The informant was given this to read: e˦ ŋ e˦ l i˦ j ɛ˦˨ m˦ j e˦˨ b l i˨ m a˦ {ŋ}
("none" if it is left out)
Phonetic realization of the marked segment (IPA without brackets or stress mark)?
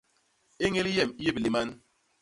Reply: n